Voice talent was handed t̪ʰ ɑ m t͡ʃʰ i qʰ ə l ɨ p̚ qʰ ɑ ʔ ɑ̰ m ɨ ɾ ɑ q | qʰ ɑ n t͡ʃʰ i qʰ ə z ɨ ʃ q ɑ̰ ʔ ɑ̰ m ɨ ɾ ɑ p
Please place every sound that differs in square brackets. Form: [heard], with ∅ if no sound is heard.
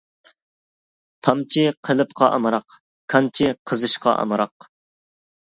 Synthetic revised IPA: t̪ʰ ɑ m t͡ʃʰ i qʰ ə l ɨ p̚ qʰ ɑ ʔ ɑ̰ m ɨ ɾ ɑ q | [kʰ] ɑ n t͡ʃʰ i qʰ ə z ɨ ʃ q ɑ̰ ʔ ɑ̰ m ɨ ɾ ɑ [q]